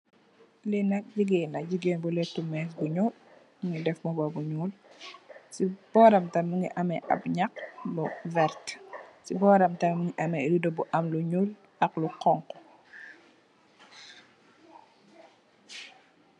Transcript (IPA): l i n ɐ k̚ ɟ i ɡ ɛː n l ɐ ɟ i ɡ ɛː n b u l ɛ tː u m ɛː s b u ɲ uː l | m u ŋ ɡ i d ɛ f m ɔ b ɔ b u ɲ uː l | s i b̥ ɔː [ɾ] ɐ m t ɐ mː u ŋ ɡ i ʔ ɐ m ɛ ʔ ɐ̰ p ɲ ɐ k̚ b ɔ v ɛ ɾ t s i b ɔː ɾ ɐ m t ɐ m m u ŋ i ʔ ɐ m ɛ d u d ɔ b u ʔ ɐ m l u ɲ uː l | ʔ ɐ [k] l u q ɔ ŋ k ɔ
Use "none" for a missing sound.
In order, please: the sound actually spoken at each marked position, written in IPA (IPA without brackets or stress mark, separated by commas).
ɾ, k